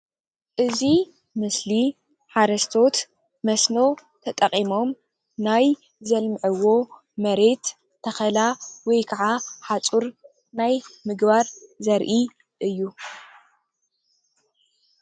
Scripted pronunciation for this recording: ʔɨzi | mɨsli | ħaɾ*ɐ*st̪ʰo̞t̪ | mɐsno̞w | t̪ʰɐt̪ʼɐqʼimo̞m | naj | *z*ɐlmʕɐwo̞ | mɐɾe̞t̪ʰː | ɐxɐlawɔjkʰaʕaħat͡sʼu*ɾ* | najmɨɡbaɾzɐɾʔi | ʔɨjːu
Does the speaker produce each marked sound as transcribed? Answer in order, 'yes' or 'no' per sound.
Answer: yes, yes, yes

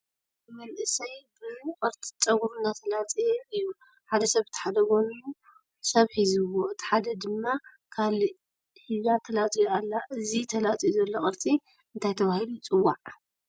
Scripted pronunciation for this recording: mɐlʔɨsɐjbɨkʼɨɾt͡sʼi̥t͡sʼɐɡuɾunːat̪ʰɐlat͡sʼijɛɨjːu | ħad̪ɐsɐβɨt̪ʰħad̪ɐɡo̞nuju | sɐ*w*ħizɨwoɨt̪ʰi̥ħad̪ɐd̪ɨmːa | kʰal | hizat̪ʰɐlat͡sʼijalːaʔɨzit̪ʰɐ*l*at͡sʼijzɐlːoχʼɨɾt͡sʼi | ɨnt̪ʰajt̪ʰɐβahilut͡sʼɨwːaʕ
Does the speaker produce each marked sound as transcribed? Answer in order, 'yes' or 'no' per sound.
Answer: no, yes

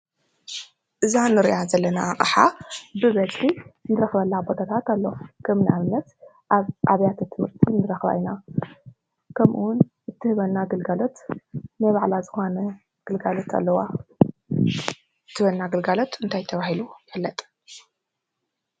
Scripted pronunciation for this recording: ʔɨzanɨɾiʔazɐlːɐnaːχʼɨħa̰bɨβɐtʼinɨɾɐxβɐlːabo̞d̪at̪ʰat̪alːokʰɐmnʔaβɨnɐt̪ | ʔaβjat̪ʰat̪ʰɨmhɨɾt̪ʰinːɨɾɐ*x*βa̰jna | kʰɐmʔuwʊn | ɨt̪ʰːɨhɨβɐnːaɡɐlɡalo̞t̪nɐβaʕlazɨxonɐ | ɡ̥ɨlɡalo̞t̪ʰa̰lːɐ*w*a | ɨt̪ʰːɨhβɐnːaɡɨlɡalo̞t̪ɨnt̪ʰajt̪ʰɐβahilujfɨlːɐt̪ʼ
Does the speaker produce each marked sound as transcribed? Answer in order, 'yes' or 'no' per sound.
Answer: yes, yes

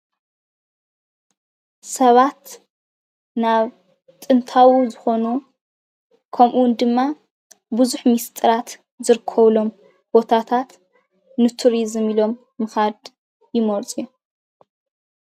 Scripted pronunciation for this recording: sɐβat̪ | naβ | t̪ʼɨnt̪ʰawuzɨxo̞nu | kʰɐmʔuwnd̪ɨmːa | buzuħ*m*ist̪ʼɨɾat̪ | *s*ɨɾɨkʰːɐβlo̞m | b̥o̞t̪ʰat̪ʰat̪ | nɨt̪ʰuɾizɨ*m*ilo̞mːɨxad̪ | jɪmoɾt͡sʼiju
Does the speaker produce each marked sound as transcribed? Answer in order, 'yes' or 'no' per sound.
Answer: yes, no, yes

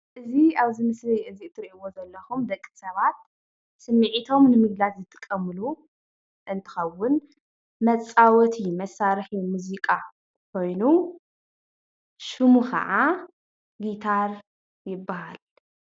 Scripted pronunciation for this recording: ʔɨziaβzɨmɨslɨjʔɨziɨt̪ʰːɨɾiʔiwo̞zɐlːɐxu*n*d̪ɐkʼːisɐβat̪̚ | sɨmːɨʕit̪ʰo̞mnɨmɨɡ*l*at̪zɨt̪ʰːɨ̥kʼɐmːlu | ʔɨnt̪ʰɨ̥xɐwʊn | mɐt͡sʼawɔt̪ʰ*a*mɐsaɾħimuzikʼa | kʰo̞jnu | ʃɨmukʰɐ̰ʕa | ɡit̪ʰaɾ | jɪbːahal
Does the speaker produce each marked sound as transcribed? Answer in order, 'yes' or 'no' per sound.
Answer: no, yes, no

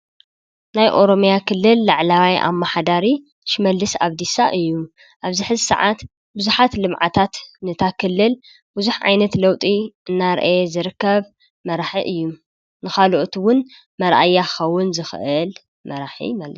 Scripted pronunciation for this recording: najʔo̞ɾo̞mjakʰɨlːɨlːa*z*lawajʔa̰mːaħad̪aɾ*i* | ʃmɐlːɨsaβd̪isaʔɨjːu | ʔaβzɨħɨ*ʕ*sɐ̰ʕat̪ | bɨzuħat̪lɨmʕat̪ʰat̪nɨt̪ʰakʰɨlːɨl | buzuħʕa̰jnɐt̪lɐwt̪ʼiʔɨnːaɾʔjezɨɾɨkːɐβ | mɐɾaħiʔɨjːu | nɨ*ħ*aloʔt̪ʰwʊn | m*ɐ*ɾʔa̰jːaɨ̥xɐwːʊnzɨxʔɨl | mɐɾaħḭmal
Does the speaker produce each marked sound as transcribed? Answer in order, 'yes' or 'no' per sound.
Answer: no, yes, no, no, yes

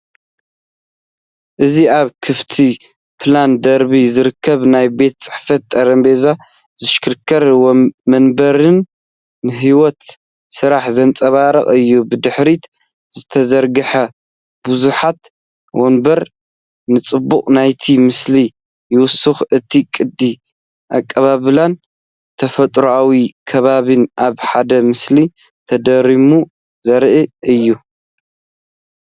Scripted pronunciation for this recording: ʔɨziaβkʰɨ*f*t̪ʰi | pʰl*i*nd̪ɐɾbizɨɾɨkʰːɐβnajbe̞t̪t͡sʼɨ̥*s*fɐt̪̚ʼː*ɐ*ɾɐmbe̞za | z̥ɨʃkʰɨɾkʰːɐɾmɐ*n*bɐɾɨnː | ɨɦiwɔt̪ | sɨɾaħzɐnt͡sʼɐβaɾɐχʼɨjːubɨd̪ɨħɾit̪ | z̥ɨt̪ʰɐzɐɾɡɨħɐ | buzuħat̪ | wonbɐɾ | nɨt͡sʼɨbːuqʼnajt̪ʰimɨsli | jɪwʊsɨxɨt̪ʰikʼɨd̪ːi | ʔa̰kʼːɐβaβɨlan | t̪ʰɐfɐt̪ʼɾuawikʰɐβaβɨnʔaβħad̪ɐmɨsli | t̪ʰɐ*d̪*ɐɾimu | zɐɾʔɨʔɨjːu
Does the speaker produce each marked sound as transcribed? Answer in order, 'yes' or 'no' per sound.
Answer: yes, no, no, yes, yes, yes

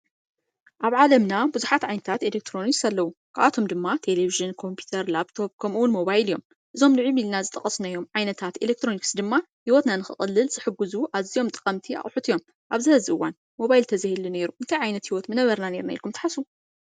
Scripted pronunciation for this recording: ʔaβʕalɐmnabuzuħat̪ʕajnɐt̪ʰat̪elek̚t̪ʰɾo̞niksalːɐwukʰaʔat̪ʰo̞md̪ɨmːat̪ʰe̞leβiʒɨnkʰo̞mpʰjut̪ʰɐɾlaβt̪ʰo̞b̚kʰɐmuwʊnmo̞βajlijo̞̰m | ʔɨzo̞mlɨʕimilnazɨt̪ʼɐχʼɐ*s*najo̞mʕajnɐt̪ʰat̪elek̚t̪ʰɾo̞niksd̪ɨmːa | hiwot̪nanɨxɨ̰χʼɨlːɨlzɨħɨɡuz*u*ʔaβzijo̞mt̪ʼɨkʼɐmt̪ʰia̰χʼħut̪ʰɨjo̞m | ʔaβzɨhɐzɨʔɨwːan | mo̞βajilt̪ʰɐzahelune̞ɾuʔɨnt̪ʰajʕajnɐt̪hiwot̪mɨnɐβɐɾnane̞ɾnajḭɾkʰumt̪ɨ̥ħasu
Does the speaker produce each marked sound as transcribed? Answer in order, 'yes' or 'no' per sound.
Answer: yes, yes

